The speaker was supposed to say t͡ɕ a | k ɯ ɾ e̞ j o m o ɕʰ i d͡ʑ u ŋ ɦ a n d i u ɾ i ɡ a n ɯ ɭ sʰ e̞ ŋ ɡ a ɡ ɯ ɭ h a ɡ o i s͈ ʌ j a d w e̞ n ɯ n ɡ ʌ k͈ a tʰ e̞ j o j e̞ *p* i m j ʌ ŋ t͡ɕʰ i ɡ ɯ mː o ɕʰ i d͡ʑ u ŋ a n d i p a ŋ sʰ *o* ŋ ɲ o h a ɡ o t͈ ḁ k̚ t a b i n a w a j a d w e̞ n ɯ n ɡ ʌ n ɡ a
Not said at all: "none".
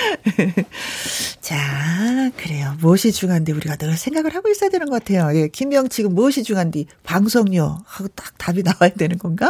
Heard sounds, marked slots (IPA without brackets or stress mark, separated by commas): k, o